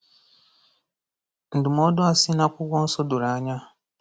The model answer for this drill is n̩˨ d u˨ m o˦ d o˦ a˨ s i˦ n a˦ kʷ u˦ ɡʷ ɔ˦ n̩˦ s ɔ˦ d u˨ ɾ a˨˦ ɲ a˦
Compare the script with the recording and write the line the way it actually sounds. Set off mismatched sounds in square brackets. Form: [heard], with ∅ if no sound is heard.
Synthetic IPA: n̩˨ d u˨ m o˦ d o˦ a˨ s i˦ n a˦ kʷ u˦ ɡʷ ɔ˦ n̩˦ s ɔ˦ d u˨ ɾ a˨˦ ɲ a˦